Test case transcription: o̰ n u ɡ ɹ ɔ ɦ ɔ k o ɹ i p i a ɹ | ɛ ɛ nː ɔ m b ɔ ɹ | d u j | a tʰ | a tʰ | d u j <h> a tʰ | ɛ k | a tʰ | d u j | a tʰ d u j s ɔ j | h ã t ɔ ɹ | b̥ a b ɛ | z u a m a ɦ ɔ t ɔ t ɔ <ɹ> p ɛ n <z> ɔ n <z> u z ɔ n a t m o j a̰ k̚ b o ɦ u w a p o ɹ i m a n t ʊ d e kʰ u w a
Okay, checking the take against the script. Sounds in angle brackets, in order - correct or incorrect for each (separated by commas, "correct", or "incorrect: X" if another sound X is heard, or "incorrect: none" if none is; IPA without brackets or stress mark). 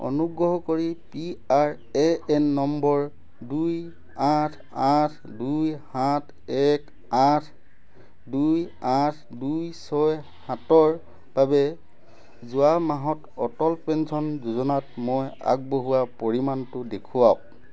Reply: correct, incorrect: l, incorrect: s, correct